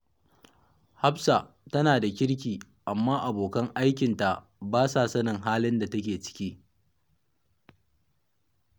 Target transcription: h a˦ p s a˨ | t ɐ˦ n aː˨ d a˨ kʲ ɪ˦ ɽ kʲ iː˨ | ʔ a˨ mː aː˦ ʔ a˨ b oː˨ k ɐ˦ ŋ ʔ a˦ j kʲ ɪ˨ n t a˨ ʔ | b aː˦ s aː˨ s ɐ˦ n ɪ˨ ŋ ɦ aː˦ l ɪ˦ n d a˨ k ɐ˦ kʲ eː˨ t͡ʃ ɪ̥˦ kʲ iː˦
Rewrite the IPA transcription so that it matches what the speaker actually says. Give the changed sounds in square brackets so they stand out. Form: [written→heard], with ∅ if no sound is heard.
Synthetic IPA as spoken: h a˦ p s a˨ | t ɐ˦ n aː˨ d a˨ kʲ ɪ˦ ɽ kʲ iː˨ | ʔ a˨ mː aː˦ ʔ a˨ b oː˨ k ɐ˦ ŋ ʔ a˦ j kʲ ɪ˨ n t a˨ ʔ | b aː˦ s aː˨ s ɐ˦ n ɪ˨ ŋ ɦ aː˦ l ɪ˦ n d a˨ [k→t] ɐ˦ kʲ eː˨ t͡ʃ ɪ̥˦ kʲ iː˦